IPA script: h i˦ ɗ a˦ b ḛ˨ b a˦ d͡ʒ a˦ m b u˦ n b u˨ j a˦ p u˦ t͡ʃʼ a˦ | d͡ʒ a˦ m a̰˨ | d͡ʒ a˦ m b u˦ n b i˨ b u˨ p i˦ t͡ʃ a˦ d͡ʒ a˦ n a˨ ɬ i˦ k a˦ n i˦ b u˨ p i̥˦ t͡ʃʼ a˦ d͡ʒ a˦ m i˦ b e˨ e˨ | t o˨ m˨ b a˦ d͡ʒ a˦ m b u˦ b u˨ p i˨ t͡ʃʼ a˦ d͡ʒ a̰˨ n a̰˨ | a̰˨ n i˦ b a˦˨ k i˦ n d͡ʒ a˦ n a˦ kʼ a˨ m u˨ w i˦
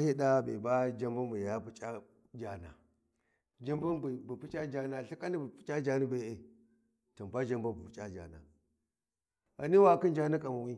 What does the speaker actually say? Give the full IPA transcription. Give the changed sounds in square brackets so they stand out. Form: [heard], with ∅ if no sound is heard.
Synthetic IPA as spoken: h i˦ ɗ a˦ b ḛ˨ b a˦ d͡ʒ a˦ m b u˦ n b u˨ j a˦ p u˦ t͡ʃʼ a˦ | d͡ʒ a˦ [n] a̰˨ | d͡ʒ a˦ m b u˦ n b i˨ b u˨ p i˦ t͡ʃ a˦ d͡ʒ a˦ n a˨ ɬ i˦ k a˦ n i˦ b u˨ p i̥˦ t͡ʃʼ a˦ d͡ʒ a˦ [n] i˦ b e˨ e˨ | t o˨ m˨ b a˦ d͡ʒ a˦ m b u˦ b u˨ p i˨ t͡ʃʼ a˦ d͡ʒ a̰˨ n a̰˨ | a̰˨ n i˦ [w] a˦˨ k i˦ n d͡ʒ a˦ n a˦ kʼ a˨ m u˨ w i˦